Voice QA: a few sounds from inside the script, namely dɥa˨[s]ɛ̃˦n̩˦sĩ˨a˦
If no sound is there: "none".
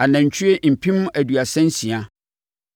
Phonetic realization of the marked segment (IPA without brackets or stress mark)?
s